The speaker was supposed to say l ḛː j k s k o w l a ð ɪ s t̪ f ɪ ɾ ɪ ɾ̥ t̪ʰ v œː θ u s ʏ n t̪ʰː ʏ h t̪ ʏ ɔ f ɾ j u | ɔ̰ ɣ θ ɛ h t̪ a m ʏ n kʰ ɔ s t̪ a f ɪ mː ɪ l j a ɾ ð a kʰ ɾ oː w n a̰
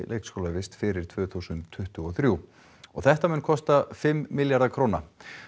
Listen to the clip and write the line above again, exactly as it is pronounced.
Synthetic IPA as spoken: l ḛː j k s k o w l a v ɪ s t̪ f ɪ ɾ ɪ ɾ̥ t̪ʰ v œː θ u s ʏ n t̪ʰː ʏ h t̪ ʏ ɔ θ ɾ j u | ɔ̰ ɣ θ ɛ h t̪ a m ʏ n kʰ ɔ s t̪ a f ɪ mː ɪ l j a ɾ ð a kʰ ɾ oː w n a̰